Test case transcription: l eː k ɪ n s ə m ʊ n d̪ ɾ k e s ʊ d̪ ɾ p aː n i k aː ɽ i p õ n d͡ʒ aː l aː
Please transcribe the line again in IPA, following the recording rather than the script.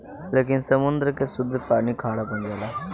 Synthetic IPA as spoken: l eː k ɪ n s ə m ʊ n d̪ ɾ k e s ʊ d̪ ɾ p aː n i kʰ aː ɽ a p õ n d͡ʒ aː l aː